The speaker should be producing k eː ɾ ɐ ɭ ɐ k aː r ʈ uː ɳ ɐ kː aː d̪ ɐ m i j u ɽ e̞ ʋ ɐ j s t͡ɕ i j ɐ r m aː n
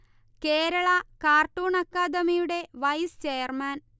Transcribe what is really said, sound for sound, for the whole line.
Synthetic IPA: k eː ɾ ɐ ɭ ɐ k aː r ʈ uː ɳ ɐ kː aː d̪ ɐ m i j u ɽ e̞ ʋ ɐ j s t͡ɕ e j ɐ r m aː n